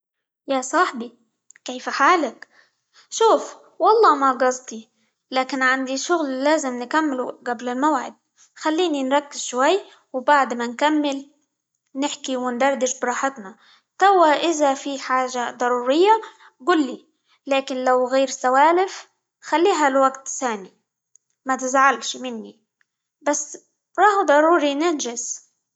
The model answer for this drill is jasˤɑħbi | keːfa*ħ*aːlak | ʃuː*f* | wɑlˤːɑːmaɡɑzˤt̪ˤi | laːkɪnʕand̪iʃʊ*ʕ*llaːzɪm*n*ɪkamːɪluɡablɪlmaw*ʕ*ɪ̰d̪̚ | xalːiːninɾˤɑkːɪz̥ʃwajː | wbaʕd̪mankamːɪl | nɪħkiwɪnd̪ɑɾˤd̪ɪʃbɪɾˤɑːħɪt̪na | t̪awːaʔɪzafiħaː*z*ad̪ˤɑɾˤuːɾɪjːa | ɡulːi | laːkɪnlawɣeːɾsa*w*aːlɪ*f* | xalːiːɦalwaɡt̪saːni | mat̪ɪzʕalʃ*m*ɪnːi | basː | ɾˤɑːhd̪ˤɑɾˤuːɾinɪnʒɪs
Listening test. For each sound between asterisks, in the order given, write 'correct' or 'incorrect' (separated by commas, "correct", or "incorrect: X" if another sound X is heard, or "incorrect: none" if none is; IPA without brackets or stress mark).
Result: correct, correct, incorrect: ɣ, correct, correct, incorrect: ʒ, correct, correct, correct